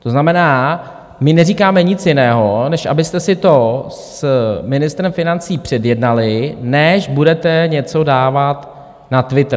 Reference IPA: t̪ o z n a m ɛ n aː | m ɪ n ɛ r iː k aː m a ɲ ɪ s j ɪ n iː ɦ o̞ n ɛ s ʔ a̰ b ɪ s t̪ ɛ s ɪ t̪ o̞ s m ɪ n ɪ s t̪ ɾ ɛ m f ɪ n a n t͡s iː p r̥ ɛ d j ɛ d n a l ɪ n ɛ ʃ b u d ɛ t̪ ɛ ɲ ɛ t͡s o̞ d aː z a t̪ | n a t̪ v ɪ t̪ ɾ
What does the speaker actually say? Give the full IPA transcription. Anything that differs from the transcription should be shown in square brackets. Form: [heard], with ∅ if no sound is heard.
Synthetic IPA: t̪ o z n a m ɛ n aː | m ɪ n ɛ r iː k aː m [ɛ] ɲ ɪ [t͡s] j ɪ n [ɛː] ɦ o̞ n ɛ [ʃ] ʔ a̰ b ɪ s t̪ ɛ s ɪ t̪ o̞ s m ɪ n ɪ s t̪ ɾ ɛ m f ɪ n a n t͡s iː p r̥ ɛ d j ɛ d n a l ɪ n ɛ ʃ b u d ɛ t̪ ɛ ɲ ɛ t͡s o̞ d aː [v] a t̪ | n a t̪ v ɪ t̪ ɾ

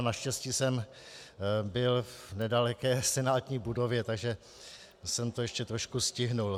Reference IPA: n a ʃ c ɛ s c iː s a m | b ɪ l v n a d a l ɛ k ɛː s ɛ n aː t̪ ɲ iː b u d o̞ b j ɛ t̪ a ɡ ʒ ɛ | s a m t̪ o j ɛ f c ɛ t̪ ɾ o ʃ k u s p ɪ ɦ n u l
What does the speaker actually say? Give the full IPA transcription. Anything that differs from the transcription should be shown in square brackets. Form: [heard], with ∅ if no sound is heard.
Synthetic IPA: n a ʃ c ɛ s c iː s [ɛ] m | b ɪ l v n [ɛ] d a l ɛ k ɛː s ɛ n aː t̪ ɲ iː b u d o̞ [v] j ɛ t̪ a ɡ ʒ ɛ | s [ɛ] m t̪ o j ɛ [ʃ] c ɛ t̪ ɾ o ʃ k u s [c] ɪ ɦ n u l

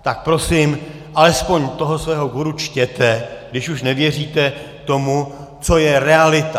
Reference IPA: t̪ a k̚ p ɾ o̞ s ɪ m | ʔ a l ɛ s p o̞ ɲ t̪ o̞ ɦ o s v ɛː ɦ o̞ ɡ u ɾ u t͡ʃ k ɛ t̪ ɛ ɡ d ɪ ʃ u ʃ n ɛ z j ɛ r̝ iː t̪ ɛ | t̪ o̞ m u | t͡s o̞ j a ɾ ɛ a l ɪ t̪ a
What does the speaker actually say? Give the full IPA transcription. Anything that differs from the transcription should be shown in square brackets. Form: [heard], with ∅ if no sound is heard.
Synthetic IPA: t̪ a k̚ p ɾ o̞ s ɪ m | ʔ a l ɛ s p o̞ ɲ t̪ o̞ ɦ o s v ɛː ɦ o̞ ɡ u ɾ u t͡ʃ [c] ɛ t̪ ɛ ɡ d ɪ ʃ u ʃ n ɛ [v] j ɛ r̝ iː t̪ ɛ | t̪ o̞ m u | t͡s o̞ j [ɛ] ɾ ɛ a l ɪ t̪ a

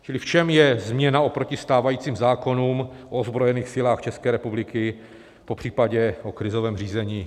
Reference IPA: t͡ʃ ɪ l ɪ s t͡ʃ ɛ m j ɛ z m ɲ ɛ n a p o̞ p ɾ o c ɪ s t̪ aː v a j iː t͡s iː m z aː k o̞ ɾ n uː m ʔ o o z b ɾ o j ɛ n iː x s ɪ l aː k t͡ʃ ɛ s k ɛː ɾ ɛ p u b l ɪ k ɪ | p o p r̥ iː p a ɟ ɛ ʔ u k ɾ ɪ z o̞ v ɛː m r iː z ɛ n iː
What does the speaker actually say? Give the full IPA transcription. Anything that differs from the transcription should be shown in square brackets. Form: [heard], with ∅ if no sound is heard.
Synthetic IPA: t͡ʃ ɪ l ɪ [f] t͡ʃ ɛ m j ɛ z m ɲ ɛ n a [∅] o̞ p ɾ o c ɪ s t̪ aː v a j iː t͡s iː m z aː k o̞ [∅] n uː m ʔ o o z b ɾ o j ɛ n iː x s ɪ l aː [x] t͡ʃ ɛ s k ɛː ɾ ɛ p u b l ɪ k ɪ | p o p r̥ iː p a ɟ ɛ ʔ [o] k ɾ ɪ z o̞ v ɛː m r iː z ɛ [ɲ] iː

